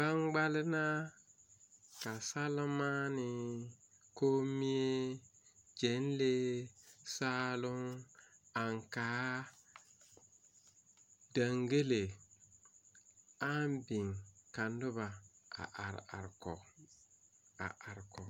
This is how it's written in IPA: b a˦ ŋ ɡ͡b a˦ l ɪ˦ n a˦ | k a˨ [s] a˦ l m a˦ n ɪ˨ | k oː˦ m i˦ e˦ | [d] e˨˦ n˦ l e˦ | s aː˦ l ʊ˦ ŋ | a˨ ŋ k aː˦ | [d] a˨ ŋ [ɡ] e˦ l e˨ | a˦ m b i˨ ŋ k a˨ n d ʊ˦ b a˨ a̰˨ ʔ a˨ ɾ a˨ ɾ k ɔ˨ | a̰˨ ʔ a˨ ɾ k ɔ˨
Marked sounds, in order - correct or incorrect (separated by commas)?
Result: correct, incorrect, correct, correct